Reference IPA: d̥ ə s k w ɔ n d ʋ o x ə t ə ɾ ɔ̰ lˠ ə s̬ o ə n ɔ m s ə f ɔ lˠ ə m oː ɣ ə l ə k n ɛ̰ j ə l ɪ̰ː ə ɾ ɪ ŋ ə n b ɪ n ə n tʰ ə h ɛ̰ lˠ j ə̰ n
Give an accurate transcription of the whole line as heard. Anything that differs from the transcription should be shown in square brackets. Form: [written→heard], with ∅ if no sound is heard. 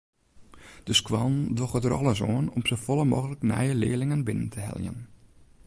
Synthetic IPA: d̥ ə s k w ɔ n d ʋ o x ə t ə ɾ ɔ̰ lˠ ə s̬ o ə n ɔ m s ə f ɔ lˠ ə m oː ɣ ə l ə k n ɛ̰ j ə l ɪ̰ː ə [ɾ→l] ɪ ŋ ə n b ɪ n ə n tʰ ə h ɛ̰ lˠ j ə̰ n